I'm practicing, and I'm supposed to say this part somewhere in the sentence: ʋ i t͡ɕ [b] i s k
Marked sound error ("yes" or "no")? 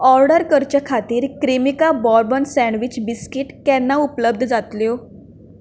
no